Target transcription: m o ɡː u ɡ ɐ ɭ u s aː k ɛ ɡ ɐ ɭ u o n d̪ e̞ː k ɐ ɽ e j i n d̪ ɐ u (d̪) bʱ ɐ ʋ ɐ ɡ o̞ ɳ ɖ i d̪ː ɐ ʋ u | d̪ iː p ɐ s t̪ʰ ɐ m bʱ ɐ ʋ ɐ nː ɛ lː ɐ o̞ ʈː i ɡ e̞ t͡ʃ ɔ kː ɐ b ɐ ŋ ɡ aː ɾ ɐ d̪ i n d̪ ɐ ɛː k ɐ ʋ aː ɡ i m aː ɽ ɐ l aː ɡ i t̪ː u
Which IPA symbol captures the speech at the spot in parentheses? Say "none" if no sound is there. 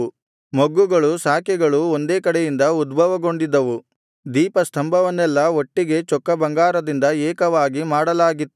d̪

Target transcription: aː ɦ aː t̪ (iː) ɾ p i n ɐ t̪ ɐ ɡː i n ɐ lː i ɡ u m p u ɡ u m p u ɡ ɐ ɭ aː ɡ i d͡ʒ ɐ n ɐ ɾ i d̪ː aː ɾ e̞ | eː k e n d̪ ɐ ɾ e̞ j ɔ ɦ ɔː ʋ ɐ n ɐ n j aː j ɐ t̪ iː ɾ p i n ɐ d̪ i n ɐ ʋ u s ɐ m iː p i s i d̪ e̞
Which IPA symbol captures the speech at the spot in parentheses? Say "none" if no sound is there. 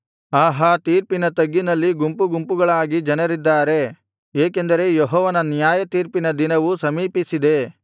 iː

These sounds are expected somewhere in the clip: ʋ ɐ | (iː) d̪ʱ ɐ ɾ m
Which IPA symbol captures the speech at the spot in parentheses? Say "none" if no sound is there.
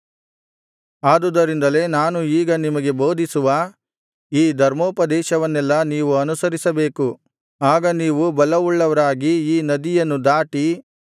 iː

